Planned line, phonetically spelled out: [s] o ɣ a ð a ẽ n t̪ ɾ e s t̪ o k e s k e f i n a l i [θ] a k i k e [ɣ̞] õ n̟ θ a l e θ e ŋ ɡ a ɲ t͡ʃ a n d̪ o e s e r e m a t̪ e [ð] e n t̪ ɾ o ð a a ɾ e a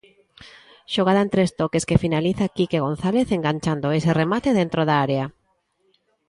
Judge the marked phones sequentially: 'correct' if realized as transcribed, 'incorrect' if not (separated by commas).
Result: incorrect, correct, correct, correct